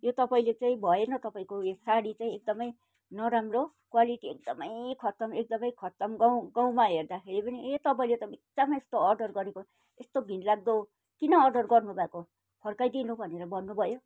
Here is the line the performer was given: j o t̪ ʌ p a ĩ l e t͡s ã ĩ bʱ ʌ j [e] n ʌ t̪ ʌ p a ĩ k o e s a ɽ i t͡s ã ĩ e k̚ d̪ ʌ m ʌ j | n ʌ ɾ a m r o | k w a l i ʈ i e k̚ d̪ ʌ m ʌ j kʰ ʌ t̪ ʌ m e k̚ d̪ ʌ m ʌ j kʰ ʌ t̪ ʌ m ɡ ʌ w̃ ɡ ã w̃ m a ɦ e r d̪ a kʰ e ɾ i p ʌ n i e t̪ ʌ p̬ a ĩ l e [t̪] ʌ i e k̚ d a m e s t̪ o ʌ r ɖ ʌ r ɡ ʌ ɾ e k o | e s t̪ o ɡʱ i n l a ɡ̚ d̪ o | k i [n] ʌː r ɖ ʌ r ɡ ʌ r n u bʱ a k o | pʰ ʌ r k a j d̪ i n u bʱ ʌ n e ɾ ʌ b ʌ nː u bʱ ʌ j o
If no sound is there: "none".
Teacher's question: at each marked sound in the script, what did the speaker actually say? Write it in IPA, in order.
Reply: e, t̪, n

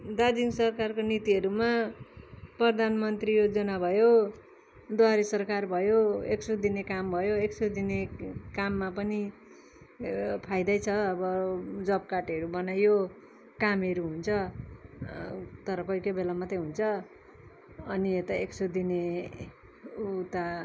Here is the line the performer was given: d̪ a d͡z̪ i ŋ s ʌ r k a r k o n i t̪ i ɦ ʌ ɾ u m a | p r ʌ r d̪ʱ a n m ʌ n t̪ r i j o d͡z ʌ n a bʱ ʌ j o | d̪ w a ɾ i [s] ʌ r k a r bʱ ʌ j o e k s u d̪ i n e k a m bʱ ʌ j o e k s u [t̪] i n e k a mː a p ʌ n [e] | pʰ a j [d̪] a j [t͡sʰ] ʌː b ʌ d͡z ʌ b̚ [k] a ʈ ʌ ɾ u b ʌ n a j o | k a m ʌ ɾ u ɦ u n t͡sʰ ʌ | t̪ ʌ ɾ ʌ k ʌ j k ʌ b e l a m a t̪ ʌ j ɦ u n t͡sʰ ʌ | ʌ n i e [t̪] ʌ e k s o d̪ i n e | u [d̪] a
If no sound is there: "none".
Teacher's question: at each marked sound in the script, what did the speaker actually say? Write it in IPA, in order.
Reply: s, d̪, i, d̪, t͡sʰ, k, t̪, t̪

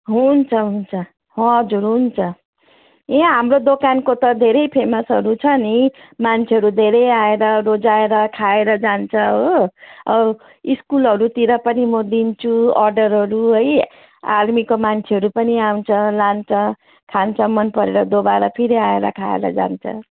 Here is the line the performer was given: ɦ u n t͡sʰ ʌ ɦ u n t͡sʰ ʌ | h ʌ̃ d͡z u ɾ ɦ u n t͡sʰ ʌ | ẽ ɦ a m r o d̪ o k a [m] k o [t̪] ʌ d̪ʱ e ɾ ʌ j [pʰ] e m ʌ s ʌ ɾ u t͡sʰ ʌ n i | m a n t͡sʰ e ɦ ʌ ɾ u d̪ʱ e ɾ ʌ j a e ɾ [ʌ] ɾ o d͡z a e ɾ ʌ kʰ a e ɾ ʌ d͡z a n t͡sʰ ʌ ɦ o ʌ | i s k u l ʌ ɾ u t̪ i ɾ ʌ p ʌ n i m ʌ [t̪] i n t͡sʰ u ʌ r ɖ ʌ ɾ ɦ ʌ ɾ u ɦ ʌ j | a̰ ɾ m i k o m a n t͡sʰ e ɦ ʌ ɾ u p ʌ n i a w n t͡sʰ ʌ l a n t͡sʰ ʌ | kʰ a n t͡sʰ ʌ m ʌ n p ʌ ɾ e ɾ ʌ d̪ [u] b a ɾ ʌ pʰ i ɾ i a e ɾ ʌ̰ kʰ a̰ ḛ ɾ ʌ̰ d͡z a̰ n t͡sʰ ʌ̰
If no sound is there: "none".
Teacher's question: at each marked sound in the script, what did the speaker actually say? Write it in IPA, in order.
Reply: n, t̪, pʰ, ʌ, d̪, o

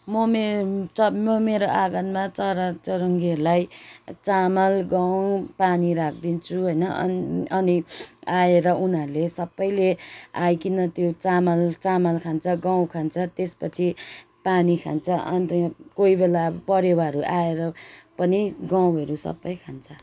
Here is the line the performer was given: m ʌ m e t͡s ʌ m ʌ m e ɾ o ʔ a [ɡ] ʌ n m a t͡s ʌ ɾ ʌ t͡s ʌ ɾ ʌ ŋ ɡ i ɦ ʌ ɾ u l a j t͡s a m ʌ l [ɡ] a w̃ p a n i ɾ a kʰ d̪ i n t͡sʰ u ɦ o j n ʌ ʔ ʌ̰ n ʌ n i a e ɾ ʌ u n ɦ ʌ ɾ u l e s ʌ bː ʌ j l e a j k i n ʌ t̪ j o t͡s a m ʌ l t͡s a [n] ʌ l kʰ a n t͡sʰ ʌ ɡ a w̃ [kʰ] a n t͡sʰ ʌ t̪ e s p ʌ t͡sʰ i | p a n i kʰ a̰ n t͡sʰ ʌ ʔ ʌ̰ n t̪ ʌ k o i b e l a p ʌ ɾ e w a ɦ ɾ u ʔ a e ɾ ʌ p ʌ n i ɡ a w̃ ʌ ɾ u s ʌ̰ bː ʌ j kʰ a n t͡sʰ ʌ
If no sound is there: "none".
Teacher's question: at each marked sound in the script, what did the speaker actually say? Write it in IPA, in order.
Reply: ɡ, ɡ, m, kʰ

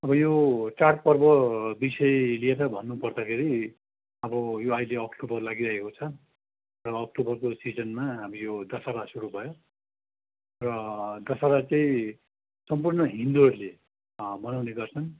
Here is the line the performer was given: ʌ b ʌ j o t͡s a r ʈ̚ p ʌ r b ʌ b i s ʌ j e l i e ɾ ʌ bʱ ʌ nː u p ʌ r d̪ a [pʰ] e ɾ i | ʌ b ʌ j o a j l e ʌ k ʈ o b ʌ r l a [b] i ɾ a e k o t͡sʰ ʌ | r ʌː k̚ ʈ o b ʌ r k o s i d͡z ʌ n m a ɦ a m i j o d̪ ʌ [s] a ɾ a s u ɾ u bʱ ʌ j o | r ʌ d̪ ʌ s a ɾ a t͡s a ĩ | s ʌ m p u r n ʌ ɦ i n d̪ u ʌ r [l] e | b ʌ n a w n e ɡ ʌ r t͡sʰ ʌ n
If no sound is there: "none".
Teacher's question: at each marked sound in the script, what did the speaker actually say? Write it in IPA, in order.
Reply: kʰ, ɡ, s, l

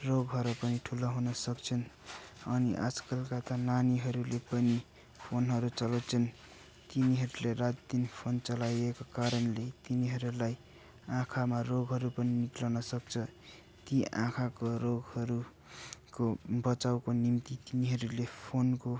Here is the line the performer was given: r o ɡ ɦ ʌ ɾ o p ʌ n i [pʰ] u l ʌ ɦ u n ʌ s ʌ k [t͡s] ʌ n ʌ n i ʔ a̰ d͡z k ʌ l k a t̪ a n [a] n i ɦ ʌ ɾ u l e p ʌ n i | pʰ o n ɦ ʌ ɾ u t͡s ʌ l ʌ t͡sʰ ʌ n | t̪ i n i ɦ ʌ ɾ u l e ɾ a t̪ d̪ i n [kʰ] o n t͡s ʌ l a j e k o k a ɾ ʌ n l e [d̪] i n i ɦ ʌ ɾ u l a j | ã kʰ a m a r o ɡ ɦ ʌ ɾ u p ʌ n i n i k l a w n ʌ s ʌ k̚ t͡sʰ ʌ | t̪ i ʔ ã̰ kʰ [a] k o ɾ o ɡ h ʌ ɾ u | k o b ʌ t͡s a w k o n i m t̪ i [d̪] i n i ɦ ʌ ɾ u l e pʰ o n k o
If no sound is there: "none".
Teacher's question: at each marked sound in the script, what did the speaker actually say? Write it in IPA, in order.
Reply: ʈʰ, t͡sʰ, a, pʰ, t̪, a, t̪

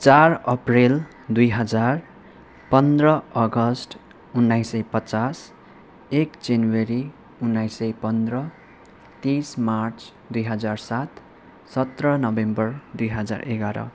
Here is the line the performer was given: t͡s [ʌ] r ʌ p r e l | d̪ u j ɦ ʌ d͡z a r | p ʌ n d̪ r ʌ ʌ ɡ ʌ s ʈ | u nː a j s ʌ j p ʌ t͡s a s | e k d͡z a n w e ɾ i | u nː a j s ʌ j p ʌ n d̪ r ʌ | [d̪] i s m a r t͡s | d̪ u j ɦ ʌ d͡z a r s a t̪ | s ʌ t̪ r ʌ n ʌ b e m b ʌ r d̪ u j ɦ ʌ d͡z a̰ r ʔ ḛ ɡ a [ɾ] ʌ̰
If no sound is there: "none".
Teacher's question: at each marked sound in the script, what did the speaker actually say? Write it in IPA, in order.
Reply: a, t̪, ɾ

